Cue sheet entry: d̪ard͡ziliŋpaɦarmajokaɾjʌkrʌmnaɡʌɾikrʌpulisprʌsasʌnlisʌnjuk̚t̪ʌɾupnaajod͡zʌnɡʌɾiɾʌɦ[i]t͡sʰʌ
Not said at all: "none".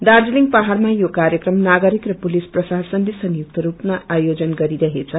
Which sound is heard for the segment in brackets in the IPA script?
e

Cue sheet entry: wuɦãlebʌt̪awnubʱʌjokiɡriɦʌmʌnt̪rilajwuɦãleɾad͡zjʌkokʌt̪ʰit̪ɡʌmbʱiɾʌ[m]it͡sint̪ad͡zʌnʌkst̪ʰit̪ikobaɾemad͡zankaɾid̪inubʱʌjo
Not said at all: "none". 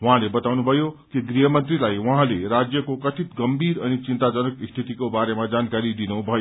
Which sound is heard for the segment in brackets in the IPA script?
n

